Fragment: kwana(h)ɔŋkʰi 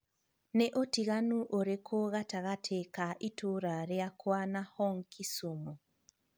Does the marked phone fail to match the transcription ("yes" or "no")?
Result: no